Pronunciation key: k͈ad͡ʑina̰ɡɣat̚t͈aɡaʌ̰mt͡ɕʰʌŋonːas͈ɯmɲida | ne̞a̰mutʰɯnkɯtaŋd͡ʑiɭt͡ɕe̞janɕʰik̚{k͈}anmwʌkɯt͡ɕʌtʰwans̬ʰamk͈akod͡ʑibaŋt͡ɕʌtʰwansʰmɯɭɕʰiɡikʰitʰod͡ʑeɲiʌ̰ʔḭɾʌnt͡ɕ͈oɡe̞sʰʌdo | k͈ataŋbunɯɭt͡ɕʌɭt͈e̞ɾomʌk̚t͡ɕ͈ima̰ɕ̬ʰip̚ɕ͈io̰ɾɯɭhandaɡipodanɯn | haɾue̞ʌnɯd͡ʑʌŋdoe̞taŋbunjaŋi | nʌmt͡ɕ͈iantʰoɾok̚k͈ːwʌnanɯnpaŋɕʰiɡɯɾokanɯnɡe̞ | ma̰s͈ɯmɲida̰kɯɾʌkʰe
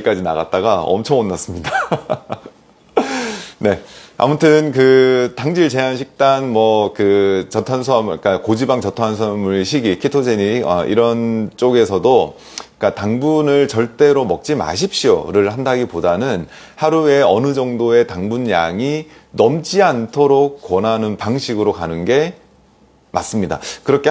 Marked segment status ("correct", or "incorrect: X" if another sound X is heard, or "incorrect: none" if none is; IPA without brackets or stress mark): incorrect: t͈